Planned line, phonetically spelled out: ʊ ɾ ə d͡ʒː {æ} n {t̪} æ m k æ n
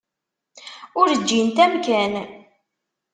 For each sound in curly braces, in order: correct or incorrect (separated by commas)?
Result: incorrect, correct